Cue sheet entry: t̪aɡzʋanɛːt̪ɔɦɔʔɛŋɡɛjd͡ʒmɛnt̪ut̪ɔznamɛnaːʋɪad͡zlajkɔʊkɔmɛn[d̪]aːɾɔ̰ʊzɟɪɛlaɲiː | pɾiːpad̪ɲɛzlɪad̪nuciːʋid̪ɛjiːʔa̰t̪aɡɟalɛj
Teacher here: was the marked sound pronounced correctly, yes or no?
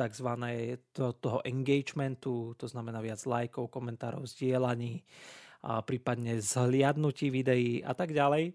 no